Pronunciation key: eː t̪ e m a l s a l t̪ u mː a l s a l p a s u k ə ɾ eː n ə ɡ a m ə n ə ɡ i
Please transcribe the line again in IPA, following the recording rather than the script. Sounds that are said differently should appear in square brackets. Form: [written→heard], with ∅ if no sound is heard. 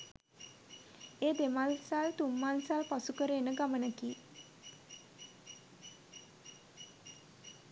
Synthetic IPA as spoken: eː [t̪→d̪] e m a l s a l t̪ u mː a l s a l p a s u k ə ɾ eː n ə ɡ a m ə n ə [ɡ→k] i